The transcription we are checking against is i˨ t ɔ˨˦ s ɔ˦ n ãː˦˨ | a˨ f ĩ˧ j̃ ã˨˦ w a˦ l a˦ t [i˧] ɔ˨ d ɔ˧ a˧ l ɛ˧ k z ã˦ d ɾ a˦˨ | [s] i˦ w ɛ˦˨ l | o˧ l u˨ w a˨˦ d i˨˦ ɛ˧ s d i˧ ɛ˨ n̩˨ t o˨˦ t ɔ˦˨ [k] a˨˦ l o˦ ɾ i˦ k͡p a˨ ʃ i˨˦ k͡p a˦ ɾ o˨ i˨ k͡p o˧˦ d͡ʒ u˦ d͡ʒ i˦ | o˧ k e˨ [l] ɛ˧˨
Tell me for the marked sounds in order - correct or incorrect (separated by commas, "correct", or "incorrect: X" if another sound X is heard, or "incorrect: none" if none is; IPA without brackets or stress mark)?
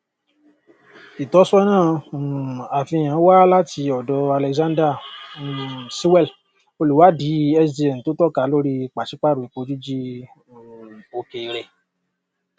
correct, correct, correct, incorrect: ɾ